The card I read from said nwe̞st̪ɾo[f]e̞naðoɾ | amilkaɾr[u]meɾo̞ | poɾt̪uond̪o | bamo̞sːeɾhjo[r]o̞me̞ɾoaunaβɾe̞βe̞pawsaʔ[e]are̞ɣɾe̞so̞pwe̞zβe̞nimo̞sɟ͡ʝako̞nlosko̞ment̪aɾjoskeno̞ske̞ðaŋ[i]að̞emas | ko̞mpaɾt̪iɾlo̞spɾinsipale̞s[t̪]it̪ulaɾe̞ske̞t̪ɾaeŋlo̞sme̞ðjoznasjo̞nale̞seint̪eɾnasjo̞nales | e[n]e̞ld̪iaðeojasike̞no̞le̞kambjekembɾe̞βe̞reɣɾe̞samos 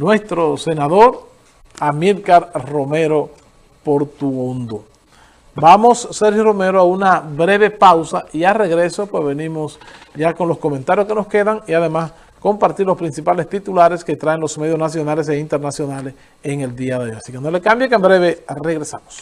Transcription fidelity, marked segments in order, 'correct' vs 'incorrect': incorrect: s, incorrect: o, correct, incorrect: i, correct, correct, incorrect: ŋ

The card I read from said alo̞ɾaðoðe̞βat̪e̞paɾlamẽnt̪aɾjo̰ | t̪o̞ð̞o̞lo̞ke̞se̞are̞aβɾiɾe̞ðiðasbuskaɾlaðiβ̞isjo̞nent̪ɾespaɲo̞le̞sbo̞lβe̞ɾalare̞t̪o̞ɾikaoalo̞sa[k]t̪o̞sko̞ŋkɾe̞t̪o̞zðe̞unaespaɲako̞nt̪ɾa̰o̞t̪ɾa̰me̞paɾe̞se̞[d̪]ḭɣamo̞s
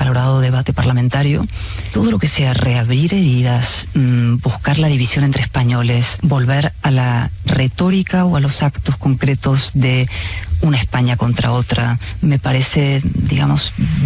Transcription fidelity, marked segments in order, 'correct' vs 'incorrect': correct, correct

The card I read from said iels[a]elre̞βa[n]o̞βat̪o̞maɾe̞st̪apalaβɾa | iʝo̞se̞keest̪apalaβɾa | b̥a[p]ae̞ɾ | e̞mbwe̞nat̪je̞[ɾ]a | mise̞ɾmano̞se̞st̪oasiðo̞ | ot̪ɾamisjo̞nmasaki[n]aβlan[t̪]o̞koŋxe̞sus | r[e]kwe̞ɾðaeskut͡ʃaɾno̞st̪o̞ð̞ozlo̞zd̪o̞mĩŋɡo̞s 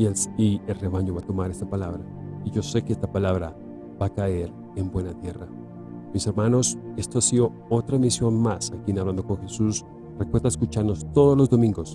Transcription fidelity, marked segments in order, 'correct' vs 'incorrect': incorrect: i, incorrect: ɲ, incorrect: k, incorrect: r, correct, incorrect: d̪, correct

